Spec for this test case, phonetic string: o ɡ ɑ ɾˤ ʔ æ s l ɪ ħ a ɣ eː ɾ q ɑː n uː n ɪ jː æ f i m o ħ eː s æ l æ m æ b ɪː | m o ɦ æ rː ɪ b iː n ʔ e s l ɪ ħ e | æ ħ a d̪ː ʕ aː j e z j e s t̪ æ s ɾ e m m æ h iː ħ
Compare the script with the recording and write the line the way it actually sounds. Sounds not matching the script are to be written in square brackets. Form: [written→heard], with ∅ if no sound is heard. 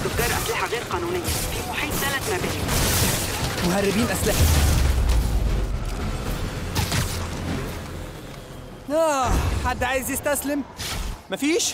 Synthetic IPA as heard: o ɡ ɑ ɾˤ ʔ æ s l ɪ ħ a ɣ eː ɾ q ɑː n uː n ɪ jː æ f i m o ħ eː s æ l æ m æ b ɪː | m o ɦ æ rː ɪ b iː n ʔ [e→æ] s l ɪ ħ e | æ ħ a d̪ː ʕ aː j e z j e s t̪ æ s [ɾ→l] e m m æ [h→f] iː [ħ→ʃ]